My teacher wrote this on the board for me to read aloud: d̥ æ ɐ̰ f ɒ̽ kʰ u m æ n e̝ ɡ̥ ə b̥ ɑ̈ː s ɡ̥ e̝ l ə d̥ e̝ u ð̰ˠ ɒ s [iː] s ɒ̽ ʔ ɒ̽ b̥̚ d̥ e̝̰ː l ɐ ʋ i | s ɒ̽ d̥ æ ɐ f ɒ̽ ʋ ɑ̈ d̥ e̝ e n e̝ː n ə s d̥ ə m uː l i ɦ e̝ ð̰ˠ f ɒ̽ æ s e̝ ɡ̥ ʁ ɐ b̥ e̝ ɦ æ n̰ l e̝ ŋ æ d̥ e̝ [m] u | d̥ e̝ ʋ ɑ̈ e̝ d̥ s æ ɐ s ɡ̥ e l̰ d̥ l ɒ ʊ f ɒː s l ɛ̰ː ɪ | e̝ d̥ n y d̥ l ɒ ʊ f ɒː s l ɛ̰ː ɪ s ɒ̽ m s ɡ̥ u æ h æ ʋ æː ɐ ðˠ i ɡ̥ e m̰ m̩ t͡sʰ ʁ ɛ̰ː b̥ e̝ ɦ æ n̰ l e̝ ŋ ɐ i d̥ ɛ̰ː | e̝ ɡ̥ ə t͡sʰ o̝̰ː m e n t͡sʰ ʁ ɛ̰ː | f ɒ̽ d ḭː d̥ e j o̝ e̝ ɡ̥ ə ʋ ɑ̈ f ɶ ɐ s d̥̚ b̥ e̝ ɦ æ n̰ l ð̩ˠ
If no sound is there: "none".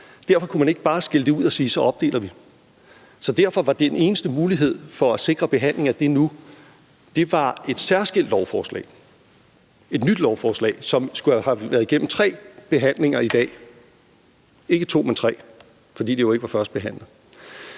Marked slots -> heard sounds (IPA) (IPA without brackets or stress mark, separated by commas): iː, n